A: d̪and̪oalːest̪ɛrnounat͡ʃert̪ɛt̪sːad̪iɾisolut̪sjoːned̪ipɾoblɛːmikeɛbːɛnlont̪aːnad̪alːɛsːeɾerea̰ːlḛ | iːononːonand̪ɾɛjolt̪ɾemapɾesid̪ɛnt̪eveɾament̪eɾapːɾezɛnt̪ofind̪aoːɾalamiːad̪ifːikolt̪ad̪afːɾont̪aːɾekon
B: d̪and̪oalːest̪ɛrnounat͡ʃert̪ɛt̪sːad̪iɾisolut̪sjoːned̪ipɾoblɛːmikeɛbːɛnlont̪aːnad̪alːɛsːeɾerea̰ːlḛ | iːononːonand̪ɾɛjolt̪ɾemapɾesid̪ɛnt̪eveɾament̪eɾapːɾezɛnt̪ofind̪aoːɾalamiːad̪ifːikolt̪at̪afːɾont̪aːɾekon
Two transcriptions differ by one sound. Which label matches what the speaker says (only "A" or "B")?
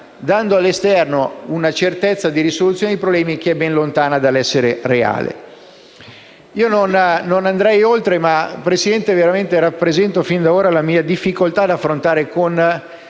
A